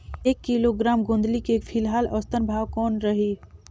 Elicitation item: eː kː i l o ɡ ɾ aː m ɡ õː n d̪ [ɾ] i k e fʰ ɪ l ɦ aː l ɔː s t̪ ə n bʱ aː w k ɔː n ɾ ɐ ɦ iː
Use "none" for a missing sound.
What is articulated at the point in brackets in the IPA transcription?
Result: l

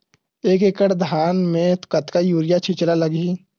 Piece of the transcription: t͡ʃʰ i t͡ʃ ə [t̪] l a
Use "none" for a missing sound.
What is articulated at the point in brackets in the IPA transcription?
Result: none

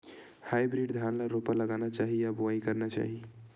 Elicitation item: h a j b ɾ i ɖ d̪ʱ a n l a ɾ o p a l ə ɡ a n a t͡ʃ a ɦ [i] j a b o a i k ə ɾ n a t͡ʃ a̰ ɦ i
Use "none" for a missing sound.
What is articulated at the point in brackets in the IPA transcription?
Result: i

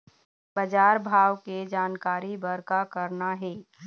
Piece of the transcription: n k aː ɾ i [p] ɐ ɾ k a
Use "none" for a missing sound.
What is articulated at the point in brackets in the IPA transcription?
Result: b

